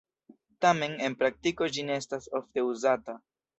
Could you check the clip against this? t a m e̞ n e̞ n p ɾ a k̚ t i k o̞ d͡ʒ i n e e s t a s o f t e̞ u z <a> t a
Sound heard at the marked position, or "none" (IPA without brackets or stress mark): a